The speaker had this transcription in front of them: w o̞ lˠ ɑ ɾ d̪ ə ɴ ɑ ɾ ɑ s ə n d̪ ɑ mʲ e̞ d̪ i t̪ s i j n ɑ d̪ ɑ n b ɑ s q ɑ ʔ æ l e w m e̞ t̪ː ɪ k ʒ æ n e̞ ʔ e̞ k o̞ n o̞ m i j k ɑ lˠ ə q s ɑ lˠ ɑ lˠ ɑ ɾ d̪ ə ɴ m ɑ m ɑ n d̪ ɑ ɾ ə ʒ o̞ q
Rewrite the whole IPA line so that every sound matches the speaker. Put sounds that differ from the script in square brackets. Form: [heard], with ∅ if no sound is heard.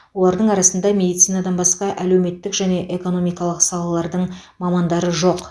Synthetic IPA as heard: w o̞ lˠ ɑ ɾ d̪ ə ɴ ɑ ɾ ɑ s ə n d̪ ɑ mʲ e̞ d̪ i t̪ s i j n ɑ d̪ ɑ n b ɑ s q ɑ ʔ æ l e w m e̞ t̪ː ɪ k ʒ æ n e̞ ʔ e̞ k o̞ n o̞ m i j k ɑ lˠ ə q s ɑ lˠ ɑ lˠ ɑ ɾ d̪ ə ɴ m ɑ m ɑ n d̪ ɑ ɾ ə ʒ o̞ q